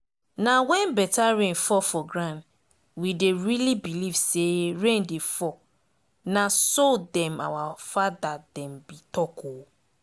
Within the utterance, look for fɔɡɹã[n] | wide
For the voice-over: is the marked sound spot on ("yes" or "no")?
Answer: yes